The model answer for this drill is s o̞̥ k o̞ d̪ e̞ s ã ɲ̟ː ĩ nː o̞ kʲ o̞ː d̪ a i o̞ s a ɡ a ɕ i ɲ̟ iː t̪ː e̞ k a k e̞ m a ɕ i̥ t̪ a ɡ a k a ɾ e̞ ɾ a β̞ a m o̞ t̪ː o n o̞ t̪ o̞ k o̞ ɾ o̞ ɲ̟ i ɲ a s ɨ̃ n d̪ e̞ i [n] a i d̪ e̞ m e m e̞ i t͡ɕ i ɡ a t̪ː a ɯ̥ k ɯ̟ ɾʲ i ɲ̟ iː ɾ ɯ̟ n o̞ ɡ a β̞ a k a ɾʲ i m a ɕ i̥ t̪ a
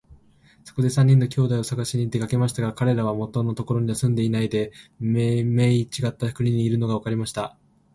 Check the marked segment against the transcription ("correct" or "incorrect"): correct